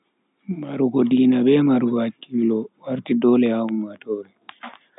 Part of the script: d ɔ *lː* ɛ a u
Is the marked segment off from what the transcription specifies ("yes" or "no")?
yes